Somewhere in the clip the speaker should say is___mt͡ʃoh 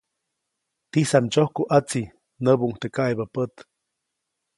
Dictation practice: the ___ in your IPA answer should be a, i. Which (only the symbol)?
a